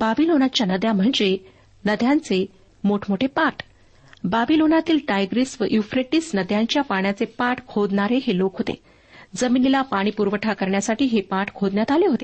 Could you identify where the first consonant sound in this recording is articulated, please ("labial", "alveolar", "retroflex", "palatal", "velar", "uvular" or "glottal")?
labial